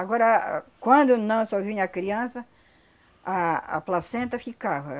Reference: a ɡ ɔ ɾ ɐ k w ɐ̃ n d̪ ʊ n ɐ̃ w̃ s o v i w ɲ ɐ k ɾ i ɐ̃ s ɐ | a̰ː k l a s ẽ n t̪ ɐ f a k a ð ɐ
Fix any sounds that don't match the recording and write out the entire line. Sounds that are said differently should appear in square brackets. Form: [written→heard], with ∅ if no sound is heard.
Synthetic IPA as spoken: a ɡ ɔ ɾ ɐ k w ɐ̃ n d̪ ʊ n ɐ̃ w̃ s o v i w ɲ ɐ k ɾ i ɐ̃ s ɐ | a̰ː [k→p] l a s ẽ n t̪ ɐ f [a→i] k a [ð→v] ɐ